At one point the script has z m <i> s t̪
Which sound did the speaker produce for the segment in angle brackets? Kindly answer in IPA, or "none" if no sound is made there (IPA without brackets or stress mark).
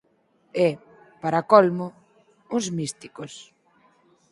i